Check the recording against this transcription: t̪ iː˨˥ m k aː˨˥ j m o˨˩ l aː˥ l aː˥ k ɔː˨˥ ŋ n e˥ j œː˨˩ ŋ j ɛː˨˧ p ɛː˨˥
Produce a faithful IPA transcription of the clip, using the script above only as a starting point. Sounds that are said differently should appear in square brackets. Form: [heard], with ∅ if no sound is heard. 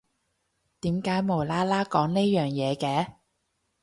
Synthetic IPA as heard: t̪ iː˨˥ m k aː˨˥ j m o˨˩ l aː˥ l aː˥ k ɔː˨˥ ŋ n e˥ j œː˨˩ ŋ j ɛː˨˧ [k] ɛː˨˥